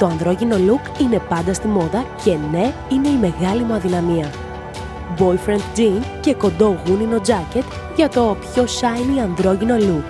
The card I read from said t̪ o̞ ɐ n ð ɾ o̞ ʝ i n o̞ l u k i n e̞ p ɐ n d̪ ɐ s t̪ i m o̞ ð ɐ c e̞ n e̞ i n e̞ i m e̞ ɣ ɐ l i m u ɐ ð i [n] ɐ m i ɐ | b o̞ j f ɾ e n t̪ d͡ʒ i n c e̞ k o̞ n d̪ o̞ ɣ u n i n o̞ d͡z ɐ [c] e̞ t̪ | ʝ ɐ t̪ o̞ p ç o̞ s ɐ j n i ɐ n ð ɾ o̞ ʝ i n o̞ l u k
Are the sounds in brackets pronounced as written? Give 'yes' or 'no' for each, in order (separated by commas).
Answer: yes, yes